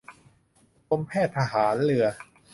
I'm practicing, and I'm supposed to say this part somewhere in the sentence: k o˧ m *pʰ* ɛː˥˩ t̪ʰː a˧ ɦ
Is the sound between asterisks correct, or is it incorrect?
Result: correct